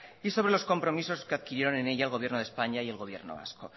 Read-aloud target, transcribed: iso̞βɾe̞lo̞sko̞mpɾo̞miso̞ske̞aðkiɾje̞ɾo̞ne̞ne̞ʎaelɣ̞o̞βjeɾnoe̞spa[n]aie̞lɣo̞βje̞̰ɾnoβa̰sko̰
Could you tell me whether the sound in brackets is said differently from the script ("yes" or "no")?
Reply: yes